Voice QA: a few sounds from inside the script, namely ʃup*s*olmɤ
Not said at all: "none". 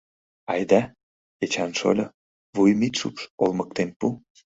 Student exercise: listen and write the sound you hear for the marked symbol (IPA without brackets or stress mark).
ʃ